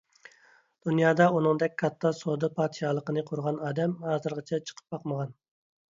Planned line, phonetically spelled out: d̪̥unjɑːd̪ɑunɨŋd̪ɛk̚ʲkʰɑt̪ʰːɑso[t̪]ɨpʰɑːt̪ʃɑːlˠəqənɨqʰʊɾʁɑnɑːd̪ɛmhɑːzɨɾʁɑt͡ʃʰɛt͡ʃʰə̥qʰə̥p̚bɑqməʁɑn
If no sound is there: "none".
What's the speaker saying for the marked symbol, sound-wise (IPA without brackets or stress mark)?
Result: d̪